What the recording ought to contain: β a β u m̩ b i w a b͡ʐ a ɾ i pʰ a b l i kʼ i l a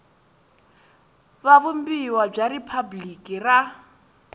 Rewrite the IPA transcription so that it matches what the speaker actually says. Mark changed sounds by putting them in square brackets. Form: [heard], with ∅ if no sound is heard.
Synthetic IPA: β a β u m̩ b i w a b͡ʐ a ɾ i pʰ a b l i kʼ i [r] a